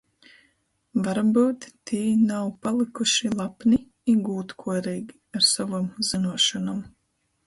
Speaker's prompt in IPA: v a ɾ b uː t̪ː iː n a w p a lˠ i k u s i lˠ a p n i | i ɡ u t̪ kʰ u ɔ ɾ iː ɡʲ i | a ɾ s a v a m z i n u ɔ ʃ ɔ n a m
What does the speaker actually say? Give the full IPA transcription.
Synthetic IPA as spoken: v a ɾ b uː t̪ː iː n a w p a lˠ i k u ʃ i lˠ a p n i | i ɡ uː t̪ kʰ u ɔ ɾ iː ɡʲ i | a ɾ s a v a m z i n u ɔ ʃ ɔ n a m